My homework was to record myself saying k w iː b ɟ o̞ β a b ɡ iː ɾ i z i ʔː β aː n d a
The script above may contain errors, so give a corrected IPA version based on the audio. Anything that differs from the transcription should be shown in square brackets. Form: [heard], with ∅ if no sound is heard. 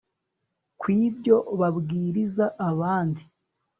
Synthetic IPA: k w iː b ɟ o̞ β a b ɡ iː ɾ i z [a] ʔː β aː n d [i]